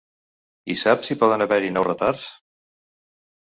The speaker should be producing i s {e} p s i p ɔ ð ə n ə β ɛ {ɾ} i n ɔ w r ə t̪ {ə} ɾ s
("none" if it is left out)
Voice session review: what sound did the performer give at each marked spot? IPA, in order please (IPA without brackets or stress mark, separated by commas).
a, ɾ, a